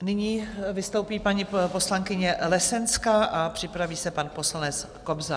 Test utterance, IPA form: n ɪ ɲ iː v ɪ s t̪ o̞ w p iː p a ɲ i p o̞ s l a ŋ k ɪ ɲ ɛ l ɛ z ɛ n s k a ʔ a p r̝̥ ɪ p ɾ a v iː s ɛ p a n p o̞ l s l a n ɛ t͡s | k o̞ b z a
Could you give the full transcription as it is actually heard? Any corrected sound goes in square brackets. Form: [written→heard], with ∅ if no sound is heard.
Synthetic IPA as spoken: n ɪ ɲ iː v ɪ s t̪ o̞ w p iː p a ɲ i p o̞ s l a ŋ k ɪ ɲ ɛ l ɛ [z→s] ɛ n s k a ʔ a p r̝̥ ɪ p ɾ a v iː s ɛ p a n p o̞ [l→∅] s l a n ɛ t͡s | k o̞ b z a